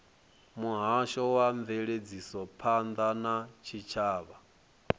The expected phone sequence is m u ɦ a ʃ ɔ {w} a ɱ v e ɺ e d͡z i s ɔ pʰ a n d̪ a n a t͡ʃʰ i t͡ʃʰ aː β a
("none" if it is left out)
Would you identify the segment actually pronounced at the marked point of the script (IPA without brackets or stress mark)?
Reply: w